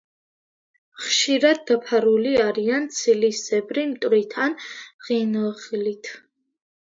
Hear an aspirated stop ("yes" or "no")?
yes